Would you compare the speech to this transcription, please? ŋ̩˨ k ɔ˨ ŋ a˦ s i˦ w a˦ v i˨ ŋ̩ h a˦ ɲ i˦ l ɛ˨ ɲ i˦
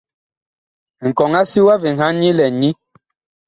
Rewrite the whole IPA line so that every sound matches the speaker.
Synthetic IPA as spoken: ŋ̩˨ k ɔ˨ ŋ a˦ s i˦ w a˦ v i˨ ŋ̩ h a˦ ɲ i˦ l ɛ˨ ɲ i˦